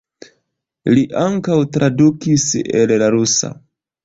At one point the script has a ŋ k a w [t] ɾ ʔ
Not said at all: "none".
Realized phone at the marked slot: t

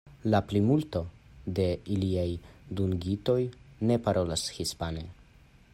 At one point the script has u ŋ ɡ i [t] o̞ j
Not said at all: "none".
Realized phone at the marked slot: t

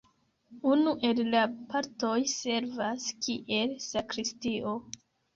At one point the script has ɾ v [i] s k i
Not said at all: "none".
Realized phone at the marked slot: a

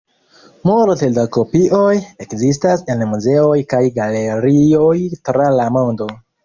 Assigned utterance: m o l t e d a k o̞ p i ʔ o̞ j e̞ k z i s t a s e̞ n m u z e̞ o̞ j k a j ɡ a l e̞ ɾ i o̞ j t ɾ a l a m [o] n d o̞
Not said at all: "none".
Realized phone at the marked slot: o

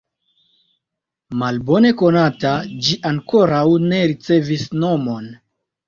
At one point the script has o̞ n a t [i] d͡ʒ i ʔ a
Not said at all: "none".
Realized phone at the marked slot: a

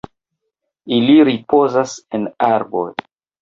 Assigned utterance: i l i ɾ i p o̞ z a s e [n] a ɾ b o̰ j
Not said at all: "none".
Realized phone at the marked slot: n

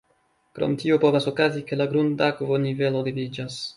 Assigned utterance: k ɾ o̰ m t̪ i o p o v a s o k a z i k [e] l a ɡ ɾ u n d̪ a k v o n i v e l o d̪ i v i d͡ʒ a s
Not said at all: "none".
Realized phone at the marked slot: e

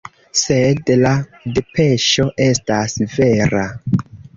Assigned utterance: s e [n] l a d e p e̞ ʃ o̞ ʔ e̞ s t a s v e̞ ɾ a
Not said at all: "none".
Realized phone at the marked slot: d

